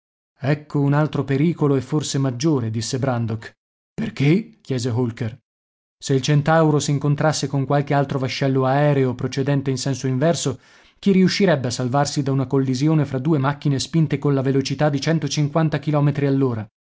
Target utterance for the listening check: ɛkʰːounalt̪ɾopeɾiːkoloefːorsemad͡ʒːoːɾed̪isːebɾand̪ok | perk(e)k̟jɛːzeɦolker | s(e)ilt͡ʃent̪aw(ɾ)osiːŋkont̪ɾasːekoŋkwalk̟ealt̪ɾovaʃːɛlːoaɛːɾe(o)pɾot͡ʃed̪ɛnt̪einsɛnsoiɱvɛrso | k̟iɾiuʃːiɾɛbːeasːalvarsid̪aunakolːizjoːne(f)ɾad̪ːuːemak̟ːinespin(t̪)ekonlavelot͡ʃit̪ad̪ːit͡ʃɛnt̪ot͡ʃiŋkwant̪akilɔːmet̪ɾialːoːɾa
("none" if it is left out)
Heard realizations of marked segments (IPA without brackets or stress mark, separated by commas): e, e, ɾ, o, f, t̪